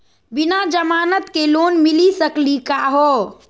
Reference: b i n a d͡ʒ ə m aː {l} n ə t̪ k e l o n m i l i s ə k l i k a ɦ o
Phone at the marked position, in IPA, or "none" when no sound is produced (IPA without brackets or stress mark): none